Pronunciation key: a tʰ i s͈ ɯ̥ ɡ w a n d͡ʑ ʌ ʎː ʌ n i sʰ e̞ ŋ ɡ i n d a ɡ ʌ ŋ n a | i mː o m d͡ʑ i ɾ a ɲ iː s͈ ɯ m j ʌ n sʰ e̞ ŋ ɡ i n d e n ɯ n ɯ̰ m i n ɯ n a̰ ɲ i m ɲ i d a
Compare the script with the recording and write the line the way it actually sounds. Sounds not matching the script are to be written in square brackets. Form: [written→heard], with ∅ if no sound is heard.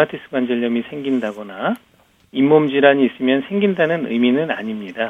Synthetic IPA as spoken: a tʰ i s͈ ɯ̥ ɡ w a n d͡ʑ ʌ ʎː ʌ [n→m] i sʰ e̞ ŋ ɡ i n d a ɡ ʌ [ŋ→∅] n a | i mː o m d͡ʑ i ɾ a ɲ iː s͈ ɯ m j ʌ n sʰ e̞ ŋ ɡ i n d [e→a] n ɯ n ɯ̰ m i n ɯ n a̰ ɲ i m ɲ i d a